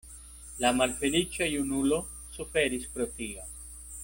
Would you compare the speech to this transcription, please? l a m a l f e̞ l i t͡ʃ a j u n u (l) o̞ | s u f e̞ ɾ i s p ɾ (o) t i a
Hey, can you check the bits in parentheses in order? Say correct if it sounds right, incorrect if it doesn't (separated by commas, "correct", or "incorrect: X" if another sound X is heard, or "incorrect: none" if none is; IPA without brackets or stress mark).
correct, correct